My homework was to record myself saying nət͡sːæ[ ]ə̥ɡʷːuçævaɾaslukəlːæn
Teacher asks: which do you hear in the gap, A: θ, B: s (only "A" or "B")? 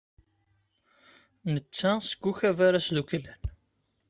B